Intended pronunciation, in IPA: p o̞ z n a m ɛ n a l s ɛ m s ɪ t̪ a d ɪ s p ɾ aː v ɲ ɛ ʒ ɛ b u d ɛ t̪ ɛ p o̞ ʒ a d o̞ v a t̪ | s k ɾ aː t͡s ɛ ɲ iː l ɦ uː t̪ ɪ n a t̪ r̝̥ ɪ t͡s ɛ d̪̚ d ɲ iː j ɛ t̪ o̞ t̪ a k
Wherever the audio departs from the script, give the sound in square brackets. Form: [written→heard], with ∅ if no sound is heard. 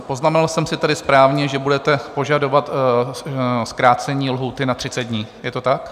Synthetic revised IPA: p o̞ z n a m ɛ n a l s ɛ m s ɪ t̪ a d ɪ s p ɾ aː v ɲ ɛ ʒ ɛ b u d ɛ t̪ ɛ p o̞ ʒ a d o̞ v a t̪ | s k ɾ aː t͡s ɛ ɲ iː l ɦ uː t̪ ɪ n a t̪ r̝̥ ɪ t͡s ɛ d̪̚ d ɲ iː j ɛ t̪ o̞ t̪ a k